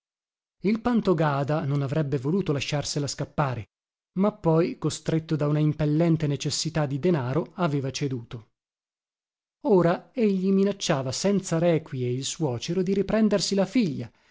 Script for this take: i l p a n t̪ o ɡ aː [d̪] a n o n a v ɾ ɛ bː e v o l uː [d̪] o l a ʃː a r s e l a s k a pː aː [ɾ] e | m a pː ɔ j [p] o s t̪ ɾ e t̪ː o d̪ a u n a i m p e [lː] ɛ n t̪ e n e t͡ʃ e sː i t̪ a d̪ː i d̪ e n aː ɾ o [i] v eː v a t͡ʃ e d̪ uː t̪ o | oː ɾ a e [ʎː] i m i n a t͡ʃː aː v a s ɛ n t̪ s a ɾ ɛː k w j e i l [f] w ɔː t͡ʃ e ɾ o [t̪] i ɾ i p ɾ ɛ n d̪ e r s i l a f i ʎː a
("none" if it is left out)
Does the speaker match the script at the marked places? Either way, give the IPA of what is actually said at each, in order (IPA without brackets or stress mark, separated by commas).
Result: d̪, t̪, ɾ, k, lː, a, ʎː, s, d̪